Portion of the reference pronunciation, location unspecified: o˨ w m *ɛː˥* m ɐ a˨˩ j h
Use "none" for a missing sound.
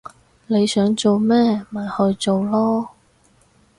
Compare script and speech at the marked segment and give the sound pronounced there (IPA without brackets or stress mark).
ɛː˥